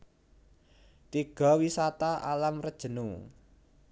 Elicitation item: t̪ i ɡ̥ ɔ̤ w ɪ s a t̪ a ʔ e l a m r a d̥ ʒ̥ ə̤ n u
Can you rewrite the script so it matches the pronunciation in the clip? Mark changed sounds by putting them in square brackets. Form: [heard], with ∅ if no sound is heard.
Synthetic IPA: t̪ i ɡ̥ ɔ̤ w [i] s a t̪ a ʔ [a] l a m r [ə] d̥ ʒ̥ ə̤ n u

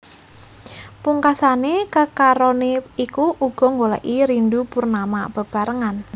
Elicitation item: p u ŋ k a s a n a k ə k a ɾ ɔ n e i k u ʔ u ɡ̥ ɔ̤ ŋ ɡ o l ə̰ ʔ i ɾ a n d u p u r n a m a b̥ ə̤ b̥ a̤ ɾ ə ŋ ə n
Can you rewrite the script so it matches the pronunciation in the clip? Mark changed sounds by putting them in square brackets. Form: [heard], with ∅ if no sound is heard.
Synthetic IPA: p u ŋ k a s a n [e] k ə k a ɾ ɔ n e i k u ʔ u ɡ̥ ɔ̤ ŋ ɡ o l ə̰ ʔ i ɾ [i] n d u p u r n a m a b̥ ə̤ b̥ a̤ ɾ ə ŋ [a] n

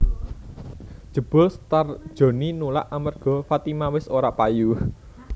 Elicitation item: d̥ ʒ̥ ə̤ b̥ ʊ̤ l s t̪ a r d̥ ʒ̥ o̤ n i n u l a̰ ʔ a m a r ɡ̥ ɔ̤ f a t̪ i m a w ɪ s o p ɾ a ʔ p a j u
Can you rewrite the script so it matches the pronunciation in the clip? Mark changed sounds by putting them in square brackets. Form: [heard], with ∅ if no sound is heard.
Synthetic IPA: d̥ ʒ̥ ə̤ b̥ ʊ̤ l s t̪ a r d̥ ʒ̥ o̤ n i n u l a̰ ʔ a m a r ɡ̥ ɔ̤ f a t̪ i m a w ɪ s o [∅] ɾ a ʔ p a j u

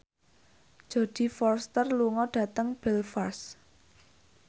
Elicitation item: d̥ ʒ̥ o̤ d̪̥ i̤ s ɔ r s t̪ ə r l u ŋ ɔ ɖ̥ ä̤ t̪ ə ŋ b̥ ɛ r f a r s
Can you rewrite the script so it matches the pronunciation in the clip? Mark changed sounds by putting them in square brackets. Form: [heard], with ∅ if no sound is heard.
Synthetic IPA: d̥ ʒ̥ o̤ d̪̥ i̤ [f] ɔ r s t̪ ə r l u ŋ ɔ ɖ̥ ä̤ t̪ ə ŋ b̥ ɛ [l] f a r s

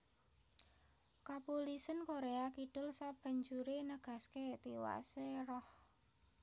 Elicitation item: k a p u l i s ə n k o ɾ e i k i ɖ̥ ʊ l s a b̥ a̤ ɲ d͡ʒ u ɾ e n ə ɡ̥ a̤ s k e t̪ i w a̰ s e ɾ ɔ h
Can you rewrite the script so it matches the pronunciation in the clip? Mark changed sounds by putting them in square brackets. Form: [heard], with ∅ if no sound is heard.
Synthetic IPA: k a p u l i s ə n k o ɾ e [a] k i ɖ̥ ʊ l s a b̥ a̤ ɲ d͡ʒ u ɾ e n ə ɡ̥ a̤ s k e t̪ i w a̰ s e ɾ ɔ h

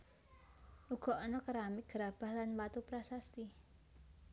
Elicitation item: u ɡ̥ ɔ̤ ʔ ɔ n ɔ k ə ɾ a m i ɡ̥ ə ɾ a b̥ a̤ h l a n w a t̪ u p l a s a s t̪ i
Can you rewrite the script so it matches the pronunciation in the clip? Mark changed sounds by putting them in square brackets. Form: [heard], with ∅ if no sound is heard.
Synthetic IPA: u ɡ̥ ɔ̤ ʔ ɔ n ɔ k ə ɾ a m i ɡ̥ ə ɾ a b̥ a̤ h l a n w a t̪ u p [ɾ] a s a s t̪ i

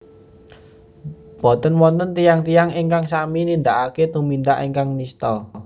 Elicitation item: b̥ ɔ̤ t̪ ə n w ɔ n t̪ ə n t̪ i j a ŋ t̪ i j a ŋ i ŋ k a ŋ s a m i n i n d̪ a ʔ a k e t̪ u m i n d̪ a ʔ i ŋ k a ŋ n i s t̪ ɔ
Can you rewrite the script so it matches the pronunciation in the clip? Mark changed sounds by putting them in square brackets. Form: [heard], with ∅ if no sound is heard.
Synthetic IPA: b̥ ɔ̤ t̪ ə n w ɔ n t̪ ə n t̪ i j a ŋ t̪ i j a ŋ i ŋ k a ŋ s a m i n i n d̪ a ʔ a k e t̪ u m i n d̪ a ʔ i ŋ k a ŋ n i s t̪ ɔ

